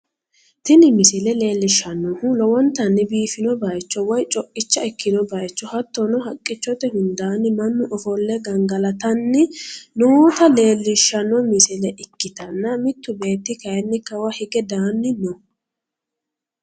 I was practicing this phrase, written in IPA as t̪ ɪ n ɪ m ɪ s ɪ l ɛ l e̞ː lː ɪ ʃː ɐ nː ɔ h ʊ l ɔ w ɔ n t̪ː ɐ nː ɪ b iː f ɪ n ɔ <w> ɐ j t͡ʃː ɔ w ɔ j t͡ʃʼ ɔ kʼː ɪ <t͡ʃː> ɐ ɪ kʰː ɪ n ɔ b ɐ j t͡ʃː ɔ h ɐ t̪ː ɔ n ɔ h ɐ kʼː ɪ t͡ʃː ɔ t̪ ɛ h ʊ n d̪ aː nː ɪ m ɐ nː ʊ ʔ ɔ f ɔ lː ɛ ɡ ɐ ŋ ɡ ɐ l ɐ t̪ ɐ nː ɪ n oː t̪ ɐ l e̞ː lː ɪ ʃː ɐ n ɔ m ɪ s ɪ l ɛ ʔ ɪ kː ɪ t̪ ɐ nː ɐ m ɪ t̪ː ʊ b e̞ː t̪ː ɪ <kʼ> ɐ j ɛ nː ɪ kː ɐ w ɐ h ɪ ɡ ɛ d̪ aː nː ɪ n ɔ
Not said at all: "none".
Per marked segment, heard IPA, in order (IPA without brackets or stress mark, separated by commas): b, t͡ʃː, k